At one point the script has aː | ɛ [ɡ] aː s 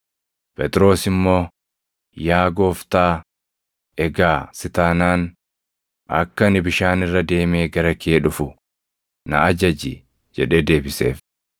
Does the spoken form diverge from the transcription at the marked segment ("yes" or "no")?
no